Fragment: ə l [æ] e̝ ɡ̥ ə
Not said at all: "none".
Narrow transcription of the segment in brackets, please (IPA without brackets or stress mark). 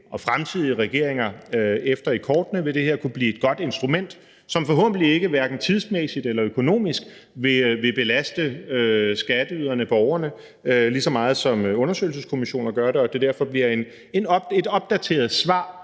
i